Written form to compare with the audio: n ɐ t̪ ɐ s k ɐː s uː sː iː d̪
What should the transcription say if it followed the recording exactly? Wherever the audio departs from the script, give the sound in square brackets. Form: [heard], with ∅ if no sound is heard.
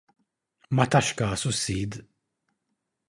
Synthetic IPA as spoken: [m] ɐ t̪ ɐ [ʃ] k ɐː s [u] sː iː d̪